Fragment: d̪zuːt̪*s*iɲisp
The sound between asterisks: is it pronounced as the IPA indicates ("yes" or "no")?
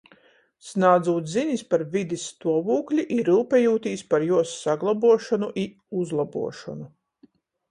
no